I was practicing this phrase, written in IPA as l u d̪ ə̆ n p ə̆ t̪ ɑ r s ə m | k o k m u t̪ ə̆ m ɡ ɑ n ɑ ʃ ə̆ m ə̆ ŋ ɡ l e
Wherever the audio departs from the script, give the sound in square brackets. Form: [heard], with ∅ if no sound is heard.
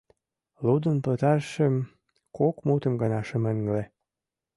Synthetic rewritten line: l u d̪ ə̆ n p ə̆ t̪ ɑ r [ʃ] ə m | k o k m u t̪ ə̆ m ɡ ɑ n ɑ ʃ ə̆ m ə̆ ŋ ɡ l e